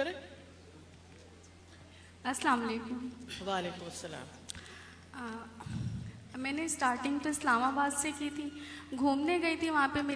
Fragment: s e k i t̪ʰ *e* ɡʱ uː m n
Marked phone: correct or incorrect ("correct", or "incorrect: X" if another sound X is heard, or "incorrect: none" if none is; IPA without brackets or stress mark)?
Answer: incorrect: i